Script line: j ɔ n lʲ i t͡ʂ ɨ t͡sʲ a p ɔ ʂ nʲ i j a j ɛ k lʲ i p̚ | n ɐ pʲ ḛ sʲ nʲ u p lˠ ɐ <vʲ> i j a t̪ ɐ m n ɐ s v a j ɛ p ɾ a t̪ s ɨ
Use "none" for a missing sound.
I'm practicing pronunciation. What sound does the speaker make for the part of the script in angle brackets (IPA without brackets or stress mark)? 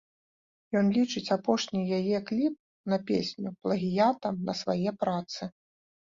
ɣʲ